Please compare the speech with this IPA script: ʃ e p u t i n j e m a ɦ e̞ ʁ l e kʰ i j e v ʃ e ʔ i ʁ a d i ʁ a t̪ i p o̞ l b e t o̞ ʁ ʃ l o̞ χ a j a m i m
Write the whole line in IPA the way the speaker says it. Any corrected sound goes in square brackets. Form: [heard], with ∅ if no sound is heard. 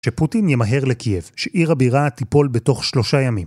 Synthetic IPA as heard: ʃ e p u t i n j e m a ɦ e̞ ʁ l e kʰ i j e v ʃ e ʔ i ʁ a [b] i ʁ a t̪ i p o̞ l b e t o̞ [χ] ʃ l o̞ [ʃ] a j a m i m